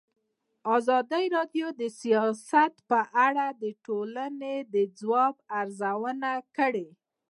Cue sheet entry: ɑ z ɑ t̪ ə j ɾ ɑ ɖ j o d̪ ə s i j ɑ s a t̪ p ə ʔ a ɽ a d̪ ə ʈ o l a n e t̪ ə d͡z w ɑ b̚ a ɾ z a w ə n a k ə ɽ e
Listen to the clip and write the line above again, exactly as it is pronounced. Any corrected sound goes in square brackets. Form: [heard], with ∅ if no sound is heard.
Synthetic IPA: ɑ z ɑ [d̪] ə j ɾ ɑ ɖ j o d̪ ə s i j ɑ s a t̪ p ə ʔ a ɽ a d̪ ə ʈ o l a n e [d̪] ə d͡z w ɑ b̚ a ɾ z a w ə n a k ə ɽ e